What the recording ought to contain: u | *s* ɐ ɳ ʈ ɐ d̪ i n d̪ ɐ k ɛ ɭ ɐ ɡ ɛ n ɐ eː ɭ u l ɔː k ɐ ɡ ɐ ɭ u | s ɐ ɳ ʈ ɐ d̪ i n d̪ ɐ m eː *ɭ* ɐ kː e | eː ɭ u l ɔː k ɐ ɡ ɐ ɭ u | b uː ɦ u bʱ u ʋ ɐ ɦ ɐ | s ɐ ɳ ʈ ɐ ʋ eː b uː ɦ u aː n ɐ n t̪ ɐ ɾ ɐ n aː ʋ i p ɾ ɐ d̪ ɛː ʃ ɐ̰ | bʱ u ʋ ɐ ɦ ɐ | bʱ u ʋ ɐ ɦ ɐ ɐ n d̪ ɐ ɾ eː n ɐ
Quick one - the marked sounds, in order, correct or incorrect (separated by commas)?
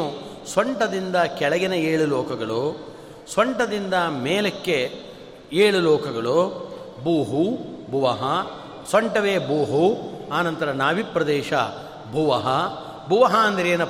correct, incorrect